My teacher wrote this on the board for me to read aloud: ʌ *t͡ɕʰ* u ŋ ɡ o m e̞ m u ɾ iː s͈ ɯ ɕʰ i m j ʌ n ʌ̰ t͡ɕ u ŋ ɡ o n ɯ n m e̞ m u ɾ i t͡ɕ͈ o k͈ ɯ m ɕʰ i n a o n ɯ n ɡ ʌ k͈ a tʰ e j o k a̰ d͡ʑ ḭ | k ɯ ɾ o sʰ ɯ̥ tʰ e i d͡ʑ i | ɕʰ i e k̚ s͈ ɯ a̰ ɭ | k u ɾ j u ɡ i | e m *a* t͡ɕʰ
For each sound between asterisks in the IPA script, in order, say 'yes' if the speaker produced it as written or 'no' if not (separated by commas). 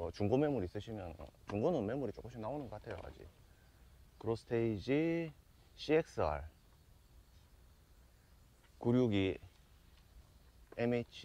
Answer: no, no